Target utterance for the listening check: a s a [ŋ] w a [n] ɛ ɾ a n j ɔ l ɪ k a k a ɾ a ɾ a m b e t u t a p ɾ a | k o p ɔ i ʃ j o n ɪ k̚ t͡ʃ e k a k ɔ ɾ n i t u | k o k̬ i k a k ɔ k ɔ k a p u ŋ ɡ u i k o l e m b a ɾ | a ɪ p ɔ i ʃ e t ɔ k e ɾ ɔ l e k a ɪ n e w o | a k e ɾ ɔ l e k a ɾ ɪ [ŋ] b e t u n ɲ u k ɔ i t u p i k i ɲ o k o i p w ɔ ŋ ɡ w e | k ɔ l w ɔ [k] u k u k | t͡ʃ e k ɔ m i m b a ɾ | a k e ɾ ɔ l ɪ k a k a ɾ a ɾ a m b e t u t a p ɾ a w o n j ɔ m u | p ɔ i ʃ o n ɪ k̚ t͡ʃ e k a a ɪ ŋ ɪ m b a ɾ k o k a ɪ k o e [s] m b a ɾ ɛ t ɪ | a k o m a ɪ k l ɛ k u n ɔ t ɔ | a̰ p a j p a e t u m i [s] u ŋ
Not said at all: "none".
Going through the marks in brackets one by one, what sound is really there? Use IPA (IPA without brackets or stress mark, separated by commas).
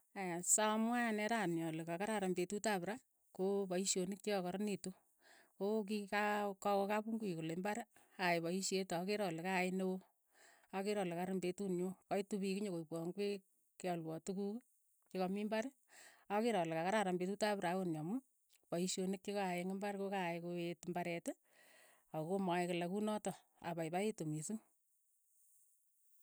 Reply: m, n, m, t, t, s